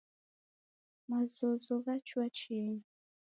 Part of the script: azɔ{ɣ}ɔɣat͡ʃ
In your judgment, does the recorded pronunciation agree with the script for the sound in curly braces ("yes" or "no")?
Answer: no